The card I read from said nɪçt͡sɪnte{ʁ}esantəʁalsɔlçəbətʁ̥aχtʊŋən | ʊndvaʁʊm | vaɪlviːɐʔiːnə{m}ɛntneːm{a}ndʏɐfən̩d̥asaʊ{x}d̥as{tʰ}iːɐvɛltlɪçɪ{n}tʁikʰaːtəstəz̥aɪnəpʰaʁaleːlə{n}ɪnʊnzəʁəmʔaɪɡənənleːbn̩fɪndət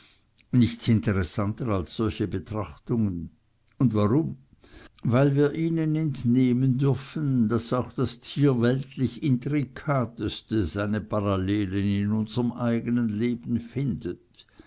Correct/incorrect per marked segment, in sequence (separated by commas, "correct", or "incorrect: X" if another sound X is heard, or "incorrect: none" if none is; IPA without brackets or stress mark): correct, incorrect: n, incorrect: ə, correct, correct, correct, correct